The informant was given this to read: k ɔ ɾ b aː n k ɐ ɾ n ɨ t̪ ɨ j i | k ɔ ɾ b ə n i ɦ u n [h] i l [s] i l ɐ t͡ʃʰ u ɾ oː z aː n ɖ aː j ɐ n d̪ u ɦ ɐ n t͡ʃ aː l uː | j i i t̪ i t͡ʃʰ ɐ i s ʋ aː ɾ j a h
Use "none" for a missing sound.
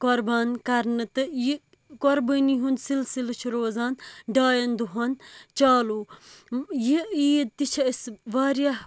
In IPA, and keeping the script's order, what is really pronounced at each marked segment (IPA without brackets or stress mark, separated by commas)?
s, s